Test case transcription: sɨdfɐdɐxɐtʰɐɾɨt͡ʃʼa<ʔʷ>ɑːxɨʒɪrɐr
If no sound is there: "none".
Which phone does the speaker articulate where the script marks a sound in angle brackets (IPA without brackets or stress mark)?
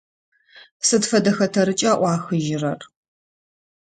ʔʷ